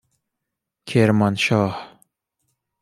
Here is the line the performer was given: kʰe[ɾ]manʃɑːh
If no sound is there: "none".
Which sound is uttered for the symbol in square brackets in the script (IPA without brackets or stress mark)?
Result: ɾ